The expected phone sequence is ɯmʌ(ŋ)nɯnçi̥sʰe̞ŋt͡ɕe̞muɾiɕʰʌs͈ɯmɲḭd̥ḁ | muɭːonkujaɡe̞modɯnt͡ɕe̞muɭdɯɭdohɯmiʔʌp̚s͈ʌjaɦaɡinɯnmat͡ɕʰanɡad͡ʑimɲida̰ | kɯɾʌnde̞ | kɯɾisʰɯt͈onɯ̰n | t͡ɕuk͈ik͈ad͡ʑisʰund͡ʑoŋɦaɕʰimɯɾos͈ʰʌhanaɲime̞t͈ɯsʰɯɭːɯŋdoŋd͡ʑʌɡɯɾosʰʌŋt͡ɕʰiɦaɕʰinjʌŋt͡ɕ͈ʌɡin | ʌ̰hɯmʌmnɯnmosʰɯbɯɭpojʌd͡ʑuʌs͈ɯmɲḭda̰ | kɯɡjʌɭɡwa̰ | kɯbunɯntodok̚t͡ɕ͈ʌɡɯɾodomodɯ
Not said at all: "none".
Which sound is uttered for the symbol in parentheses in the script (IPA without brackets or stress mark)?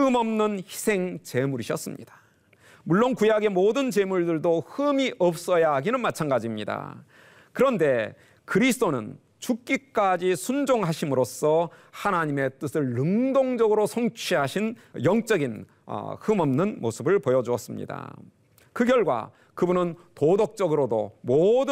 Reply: m